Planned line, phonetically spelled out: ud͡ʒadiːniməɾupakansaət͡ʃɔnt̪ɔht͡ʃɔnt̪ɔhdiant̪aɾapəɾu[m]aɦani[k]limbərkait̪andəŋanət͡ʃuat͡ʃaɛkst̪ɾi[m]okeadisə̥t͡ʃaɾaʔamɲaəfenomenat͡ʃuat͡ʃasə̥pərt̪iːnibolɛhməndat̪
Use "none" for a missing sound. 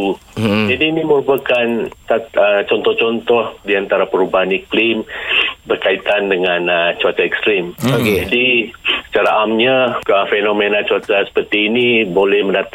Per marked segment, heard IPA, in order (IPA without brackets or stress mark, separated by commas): b, k, m